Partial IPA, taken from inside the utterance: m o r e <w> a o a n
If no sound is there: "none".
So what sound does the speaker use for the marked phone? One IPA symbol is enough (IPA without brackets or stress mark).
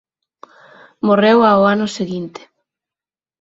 w